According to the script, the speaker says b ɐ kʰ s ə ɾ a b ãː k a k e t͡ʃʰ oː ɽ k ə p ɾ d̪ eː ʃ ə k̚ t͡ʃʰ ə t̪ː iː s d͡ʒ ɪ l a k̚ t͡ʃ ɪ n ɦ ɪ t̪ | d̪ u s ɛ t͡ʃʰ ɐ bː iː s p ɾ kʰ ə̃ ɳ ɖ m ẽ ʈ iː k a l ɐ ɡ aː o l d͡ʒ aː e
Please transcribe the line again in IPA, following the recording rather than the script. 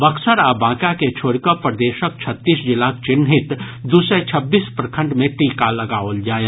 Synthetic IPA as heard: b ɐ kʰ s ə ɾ a b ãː k a k e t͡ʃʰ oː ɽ k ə p ɾ d̪ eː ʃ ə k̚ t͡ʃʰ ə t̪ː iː s d͡ʒ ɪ l a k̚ t͡ʃ ɪ n ɦ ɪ t̪ | d̪ u s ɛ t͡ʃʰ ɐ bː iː s p ɾ kʰ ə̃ ɳ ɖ m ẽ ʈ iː k a l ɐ ɡ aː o l d͡ʒ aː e